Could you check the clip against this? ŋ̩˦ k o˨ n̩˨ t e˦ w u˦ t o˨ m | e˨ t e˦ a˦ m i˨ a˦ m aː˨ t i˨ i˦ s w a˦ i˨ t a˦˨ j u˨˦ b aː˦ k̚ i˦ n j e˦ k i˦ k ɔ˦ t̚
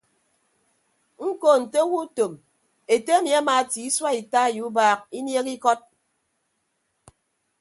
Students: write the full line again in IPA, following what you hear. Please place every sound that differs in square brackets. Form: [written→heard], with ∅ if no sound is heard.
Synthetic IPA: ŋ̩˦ k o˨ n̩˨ t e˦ w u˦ t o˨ m | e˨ t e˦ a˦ m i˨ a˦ m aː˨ t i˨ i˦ s w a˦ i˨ t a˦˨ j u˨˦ b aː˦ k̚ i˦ n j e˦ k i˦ k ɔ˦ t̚